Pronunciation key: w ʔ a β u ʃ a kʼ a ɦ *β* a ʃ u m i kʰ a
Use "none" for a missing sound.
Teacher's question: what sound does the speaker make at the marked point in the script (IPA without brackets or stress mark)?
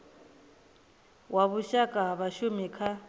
β